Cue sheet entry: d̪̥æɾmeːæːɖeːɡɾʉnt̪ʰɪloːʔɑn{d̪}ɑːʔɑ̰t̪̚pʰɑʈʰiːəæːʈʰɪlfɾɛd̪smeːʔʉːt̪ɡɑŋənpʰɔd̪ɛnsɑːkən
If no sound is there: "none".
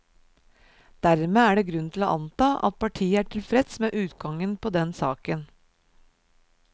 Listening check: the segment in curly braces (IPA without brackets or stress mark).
t̪